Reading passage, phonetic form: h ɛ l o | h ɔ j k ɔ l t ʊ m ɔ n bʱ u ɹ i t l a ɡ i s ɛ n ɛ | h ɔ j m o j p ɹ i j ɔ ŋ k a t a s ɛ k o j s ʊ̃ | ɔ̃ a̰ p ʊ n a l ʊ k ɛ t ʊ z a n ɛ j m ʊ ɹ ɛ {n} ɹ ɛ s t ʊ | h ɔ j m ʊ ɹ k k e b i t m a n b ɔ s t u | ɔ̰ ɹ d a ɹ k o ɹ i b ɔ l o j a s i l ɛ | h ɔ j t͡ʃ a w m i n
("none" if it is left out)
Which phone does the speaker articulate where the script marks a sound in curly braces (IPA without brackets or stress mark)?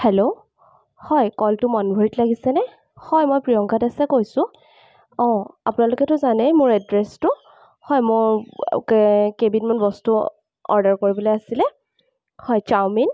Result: d